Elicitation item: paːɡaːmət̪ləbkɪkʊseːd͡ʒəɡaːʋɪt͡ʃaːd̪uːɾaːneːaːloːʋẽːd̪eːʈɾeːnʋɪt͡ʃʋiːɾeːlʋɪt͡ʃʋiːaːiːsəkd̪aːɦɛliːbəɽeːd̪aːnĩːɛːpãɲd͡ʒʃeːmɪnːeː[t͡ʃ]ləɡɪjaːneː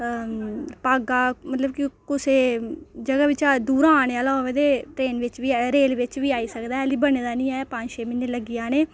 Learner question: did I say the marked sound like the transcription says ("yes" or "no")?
no